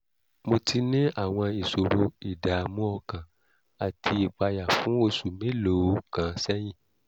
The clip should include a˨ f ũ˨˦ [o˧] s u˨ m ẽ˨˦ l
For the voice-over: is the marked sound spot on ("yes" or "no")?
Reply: yes